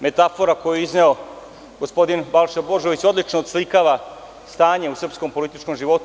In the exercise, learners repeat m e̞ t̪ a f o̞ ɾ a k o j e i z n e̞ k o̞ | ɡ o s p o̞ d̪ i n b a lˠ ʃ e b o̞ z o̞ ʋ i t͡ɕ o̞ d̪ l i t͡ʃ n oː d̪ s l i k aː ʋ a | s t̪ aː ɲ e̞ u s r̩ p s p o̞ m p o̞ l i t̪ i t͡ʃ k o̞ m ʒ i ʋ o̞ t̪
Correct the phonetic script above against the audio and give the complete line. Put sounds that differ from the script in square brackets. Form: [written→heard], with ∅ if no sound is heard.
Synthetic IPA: m e̞ t̪ a f o̞ ɾ a k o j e i z n e̞ [k→∅] o̞ | ɡ o s p o̞ d̪ i n b a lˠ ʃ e b o̞ [z→ʒ] o̞ ʋ i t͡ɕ o̞ d̪ l i t͡ʃ n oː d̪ s l i k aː ʋ a | s t̪ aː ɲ e̞ u s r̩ p s [p→k] o̞ m p o̞ l i t̪ i t͡ʃ k o̞ m ʒ i ʋ o̞ t̪